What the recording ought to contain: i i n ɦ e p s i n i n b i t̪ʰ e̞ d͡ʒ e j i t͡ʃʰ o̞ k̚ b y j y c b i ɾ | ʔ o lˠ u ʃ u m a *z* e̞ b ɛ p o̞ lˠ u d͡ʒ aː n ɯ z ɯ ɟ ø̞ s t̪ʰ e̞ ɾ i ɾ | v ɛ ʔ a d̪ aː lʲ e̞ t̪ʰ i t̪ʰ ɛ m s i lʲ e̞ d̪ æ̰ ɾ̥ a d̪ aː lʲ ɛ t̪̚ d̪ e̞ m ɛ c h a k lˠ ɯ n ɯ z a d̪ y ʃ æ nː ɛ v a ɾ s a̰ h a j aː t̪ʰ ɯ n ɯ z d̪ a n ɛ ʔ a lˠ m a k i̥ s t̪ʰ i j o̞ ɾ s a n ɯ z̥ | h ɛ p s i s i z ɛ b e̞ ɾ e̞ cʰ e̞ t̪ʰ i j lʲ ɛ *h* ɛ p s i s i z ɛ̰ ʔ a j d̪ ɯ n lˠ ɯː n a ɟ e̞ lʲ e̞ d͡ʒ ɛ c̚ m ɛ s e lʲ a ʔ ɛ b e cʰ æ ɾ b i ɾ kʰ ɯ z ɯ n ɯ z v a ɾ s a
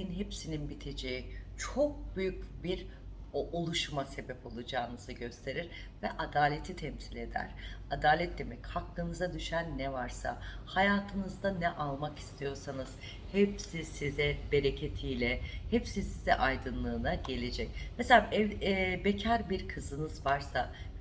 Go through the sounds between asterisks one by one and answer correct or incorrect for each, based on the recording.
incorrect, correct

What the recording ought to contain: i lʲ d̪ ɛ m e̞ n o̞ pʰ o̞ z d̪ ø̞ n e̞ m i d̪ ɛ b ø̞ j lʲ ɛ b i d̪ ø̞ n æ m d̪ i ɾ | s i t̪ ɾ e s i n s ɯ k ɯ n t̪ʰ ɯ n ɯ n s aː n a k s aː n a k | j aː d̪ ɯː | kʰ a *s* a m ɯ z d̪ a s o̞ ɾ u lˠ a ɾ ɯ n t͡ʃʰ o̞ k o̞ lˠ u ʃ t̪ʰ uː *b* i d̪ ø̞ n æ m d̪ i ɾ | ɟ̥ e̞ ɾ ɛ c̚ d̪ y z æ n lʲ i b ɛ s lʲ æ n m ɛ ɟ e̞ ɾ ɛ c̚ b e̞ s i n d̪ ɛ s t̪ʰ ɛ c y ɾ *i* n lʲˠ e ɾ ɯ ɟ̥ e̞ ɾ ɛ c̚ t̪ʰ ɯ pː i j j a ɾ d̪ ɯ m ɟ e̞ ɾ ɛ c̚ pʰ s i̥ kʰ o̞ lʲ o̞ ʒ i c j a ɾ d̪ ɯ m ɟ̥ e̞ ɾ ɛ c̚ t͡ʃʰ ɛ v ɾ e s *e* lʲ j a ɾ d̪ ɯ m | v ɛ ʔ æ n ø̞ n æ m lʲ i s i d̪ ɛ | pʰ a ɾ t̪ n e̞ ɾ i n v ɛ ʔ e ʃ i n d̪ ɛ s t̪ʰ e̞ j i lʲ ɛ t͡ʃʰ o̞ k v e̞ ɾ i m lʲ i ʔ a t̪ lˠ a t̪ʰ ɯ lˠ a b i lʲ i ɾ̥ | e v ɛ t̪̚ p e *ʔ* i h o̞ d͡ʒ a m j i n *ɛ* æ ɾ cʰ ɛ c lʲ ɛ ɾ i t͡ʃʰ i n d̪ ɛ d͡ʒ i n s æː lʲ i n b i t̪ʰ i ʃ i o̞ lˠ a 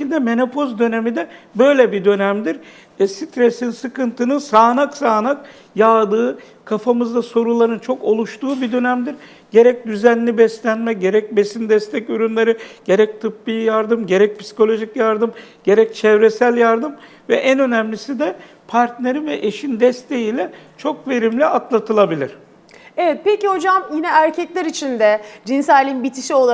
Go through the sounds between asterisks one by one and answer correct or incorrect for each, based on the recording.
incorrect, correct, incorrect, incorrect, incorrect, correct

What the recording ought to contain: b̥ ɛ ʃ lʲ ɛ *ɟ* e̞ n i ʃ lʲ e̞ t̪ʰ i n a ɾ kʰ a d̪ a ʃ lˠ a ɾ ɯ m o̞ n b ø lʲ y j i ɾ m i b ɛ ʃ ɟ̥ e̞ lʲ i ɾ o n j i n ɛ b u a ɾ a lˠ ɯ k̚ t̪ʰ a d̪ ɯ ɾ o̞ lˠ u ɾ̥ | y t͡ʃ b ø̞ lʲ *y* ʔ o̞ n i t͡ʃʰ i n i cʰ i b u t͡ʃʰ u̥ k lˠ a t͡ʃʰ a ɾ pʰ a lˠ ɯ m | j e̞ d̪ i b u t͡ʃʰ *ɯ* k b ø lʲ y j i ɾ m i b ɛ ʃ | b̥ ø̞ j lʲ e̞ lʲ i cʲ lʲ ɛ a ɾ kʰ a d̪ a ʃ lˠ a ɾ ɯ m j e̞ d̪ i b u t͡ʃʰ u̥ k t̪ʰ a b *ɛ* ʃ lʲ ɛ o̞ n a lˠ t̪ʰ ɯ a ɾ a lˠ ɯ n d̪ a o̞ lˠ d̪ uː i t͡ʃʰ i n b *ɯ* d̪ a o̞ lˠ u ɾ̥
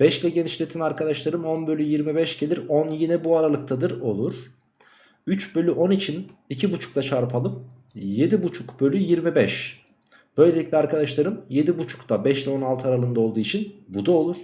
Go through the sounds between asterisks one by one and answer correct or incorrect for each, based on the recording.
correct, correct, incorrect, correct, incorrect

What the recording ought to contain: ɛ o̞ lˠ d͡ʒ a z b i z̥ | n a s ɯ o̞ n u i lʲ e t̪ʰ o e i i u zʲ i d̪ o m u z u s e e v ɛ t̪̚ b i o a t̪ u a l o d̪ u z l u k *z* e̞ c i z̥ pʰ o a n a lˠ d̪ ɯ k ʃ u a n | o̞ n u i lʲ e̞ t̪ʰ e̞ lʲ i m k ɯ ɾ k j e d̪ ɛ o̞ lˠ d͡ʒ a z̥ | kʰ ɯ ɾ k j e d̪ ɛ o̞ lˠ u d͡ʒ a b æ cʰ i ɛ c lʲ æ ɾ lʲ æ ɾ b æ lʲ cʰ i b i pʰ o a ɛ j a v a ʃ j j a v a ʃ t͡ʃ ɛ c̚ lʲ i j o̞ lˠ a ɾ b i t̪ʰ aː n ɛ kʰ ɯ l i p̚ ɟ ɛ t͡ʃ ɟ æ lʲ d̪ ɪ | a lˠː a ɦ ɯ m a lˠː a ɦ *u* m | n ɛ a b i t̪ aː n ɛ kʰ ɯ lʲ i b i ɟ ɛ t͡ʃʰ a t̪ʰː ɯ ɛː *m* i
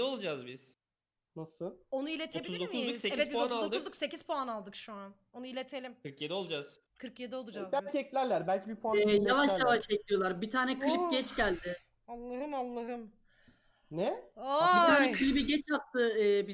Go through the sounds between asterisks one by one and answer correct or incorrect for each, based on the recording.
incorrect, incorrect, incorrect

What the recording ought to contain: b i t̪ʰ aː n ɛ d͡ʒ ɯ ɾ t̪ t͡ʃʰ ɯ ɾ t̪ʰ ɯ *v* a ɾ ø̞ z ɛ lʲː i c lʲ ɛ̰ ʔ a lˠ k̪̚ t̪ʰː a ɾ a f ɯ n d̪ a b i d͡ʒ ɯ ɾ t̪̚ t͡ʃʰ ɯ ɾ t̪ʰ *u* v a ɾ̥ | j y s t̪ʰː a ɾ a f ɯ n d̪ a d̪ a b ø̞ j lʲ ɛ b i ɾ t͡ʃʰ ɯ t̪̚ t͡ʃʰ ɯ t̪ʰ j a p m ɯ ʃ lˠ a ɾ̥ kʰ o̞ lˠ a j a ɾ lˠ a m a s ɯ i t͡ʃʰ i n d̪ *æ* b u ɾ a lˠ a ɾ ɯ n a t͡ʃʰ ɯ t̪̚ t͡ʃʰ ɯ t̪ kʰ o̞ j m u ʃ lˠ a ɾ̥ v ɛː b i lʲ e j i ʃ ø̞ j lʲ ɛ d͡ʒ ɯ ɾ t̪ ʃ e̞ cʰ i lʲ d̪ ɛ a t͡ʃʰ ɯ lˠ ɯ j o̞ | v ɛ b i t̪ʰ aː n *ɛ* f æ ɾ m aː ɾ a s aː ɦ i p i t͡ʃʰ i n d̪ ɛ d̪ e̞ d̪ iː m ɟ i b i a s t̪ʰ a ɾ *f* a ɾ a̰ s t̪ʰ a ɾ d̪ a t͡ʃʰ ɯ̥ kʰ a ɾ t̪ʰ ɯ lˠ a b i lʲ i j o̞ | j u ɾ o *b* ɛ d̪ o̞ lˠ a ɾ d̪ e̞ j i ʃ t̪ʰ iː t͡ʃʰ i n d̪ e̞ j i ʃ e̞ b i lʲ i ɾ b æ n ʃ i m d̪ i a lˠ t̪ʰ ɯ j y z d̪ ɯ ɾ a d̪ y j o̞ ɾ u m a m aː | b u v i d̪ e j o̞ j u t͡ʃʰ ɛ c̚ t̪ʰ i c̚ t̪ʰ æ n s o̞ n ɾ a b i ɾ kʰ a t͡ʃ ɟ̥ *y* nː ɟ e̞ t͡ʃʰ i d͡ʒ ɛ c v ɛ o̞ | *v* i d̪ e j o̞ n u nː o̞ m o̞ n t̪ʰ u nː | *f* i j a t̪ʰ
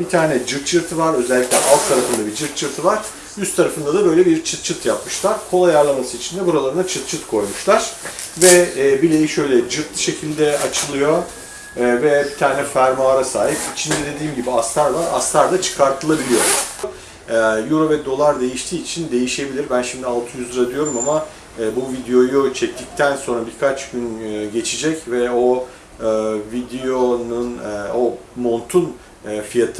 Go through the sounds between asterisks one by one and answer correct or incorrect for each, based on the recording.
correct, incorrect, incorrect, correct, incorrect, incorrect, correct, correct, correct

